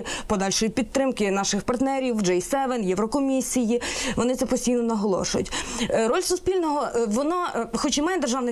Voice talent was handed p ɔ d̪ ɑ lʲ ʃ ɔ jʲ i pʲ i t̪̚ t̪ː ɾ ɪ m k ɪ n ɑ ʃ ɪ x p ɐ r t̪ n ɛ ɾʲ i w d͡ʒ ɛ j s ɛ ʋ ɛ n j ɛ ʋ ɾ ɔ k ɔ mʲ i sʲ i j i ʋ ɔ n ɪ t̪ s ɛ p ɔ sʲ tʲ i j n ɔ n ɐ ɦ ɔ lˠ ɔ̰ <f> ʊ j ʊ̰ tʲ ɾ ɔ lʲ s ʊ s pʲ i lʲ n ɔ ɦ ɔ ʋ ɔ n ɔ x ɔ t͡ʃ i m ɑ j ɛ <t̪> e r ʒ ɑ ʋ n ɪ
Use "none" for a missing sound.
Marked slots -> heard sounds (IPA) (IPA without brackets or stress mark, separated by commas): ʃ, d̪